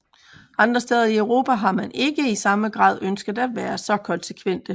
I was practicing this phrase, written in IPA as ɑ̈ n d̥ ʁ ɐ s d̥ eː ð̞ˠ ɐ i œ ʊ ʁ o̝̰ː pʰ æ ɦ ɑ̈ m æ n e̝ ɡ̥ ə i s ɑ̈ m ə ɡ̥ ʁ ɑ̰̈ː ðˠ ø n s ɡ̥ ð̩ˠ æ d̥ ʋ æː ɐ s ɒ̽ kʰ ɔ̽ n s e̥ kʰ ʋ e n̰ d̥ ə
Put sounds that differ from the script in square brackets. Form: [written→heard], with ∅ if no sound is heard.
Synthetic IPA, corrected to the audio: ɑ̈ n d̥ ʁ ɐ s d̥ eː ð̞ˠ ɐ i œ ʊ ʁ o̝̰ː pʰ æ ɦ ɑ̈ m æ n e̝ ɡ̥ ə i s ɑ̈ m ə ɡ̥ ʁ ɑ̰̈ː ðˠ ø n s ɡ̥ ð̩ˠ æ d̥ ʋ æː ɐ s ɒ̽ kʰ [ɔ̽→ɒ̽] n s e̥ kʰ ʋ e n̰ d̥ ə